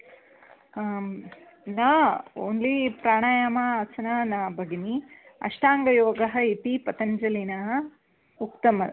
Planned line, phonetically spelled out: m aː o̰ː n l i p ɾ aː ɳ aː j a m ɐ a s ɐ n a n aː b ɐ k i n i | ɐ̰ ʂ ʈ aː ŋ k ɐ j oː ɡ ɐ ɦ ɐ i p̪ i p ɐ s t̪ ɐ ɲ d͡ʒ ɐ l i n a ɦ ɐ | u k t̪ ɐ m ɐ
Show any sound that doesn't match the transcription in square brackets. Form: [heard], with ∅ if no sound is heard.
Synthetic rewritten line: [n] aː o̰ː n l i p ɾ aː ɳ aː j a m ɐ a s ɐ n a n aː b ɐ [ɡ] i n i | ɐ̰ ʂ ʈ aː ŋ [ɡ] ɐ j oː ɡ ɐ ɦ ɐ i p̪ i p ɐ [∅] t̪ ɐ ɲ d͡ʒ ɐ l i n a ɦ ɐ | u k t̪ ɐ m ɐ